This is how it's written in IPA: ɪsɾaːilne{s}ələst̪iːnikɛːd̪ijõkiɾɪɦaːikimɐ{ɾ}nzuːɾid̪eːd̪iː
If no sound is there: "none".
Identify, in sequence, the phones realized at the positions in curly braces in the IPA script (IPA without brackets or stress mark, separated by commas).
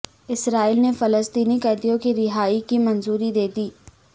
f, none